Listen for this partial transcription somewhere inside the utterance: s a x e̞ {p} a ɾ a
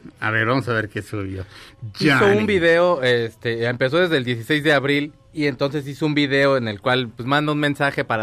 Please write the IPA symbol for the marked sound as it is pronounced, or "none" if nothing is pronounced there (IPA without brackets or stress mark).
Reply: p